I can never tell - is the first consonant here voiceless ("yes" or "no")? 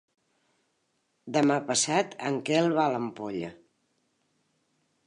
no